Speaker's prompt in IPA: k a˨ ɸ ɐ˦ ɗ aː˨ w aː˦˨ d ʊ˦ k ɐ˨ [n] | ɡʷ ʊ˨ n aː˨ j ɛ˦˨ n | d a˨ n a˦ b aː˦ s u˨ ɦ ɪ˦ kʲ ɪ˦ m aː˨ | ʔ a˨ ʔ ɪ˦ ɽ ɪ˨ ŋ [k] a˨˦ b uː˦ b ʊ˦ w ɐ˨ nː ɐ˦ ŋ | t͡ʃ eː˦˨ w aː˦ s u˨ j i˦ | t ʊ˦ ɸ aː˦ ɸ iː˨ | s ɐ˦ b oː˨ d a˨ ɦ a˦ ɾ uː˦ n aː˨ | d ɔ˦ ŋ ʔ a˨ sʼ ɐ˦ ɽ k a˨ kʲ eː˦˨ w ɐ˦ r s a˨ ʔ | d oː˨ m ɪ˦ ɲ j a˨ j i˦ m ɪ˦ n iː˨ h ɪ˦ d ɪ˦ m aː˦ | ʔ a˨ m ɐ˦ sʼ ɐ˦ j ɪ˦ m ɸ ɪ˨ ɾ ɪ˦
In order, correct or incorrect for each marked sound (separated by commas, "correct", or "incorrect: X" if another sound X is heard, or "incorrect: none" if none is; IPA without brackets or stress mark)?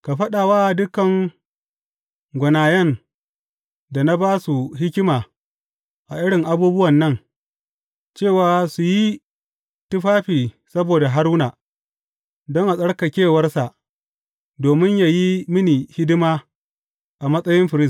incorrect: ŋ, incorrect: ʔ